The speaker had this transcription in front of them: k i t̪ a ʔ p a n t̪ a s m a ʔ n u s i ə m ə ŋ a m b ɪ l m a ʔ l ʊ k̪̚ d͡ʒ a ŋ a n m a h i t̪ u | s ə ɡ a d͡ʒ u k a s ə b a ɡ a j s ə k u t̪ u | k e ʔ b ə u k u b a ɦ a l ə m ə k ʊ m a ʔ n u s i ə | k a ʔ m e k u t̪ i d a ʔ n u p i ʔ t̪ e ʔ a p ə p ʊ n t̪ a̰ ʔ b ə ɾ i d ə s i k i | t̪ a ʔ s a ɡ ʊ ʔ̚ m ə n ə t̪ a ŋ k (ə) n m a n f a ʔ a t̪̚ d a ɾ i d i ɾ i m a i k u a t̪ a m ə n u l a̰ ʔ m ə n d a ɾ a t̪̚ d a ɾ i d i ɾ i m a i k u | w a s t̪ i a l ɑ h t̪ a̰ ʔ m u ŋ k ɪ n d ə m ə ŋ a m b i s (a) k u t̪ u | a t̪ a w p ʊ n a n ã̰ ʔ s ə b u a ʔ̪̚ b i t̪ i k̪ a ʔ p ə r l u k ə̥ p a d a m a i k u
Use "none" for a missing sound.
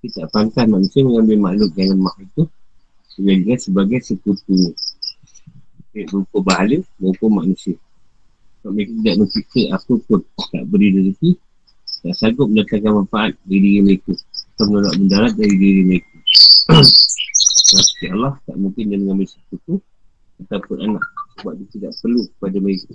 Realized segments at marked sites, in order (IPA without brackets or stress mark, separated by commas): a, ə